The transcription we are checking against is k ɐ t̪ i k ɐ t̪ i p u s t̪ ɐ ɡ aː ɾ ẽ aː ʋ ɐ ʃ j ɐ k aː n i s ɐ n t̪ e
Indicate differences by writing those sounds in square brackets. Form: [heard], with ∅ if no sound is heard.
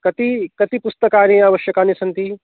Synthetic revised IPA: k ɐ t̪ i k ɐ t̪ i p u s t̪ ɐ [k] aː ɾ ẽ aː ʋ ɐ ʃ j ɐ k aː n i s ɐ n t̪ [i]